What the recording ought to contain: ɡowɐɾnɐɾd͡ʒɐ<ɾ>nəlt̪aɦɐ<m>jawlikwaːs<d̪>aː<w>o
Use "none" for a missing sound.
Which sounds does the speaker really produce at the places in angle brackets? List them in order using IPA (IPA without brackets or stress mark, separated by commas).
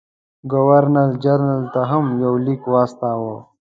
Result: ɾ, m, t̪, w